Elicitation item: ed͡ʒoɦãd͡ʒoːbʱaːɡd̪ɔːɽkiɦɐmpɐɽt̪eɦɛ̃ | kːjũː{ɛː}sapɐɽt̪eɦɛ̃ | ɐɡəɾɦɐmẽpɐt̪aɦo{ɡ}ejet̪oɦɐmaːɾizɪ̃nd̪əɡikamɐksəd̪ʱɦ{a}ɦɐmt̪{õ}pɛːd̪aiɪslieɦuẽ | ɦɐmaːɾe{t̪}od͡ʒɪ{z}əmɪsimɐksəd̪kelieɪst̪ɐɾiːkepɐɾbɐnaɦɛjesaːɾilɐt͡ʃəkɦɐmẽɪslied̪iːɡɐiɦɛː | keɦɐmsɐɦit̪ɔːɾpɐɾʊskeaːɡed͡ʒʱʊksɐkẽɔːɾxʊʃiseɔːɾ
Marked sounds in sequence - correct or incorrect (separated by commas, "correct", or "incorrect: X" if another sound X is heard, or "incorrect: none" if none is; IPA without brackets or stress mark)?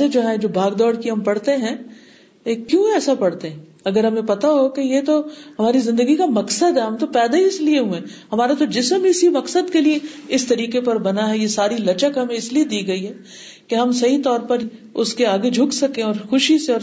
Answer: correct, incorrect: k, incorrect: ɛ, incorrect: o, correct, incorrect: s